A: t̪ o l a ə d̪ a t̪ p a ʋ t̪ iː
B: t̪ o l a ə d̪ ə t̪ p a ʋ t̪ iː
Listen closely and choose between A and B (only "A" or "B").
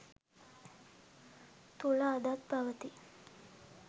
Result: A